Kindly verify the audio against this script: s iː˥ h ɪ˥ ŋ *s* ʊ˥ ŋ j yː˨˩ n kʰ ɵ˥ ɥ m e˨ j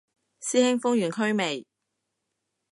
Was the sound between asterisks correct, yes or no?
no